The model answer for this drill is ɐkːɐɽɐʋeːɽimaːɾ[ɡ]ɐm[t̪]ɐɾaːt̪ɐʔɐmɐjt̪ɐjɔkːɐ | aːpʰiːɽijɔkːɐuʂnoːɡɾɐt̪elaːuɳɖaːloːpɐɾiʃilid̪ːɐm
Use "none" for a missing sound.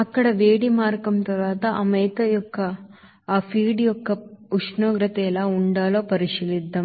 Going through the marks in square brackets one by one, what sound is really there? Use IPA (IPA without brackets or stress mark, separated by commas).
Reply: k, t̪